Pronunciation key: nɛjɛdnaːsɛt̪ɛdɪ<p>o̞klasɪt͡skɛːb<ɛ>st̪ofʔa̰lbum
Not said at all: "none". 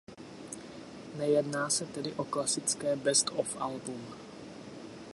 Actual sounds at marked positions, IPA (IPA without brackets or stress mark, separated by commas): ʔ, ɛ